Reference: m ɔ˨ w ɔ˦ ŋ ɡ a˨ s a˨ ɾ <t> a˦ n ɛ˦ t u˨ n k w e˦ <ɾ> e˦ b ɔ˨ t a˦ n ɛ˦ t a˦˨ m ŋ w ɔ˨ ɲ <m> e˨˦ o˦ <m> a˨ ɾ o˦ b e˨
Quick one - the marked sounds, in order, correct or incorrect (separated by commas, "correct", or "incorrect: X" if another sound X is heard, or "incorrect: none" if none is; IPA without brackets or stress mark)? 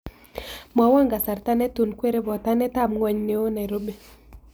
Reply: correct, correct, incorrect: n, incorrect: n